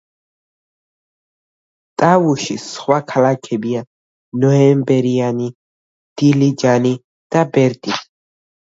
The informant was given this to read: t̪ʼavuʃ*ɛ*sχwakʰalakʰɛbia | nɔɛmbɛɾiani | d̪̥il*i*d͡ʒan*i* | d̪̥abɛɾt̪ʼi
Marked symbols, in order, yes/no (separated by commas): no, yes, yes